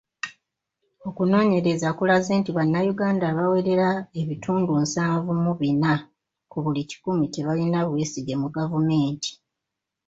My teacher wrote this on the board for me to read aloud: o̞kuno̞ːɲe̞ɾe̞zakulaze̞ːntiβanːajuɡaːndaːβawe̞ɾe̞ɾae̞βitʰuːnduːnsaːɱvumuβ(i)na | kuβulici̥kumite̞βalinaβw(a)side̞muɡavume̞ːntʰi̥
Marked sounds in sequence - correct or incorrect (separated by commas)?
correct, incorrect